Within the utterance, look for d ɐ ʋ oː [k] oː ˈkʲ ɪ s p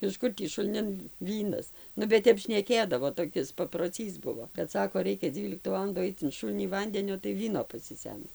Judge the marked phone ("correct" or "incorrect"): incorrect